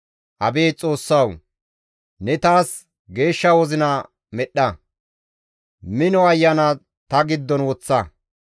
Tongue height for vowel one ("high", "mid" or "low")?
low